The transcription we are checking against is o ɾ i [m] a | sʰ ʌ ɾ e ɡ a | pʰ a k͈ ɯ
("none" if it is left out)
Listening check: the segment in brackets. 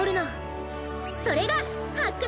n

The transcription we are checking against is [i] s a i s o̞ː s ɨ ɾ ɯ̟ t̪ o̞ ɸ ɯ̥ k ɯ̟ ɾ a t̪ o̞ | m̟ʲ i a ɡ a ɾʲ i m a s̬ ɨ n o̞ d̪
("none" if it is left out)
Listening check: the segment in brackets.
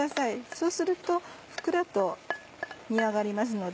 a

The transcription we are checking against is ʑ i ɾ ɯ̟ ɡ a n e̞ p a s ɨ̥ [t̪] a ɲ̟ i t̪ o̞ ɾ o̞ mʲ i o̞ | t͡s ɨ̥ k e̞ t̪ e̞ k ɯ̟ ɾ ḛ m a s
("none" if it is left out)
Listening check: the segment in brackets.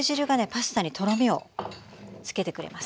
t̪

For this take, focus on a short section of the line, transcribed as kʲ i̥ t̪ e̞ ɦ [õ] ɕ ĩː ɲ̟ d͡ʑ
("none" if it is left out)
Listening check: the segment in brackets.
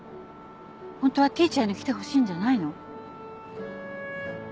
o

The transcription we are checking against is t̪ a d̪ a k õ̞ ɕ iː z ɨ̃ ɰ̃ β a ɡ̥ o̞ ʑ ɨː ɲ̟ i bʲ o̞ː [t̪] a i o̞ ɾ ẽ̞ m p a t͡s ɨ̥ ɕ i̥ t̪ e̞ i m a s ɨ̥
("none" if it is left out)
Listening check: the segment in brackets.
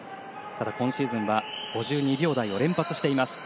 d̪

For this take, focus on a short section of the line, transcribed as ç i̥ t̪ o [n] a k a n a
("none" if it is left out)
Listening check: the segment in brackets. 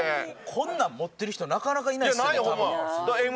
n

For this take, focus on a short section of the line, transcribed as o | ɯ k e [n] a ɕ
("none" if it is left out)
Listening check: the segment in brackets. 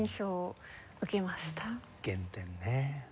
m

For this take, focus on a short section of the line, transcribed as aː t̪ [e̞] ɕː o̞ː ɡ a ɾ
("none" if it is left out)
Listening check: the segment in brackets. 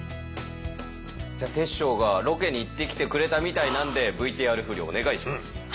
e̞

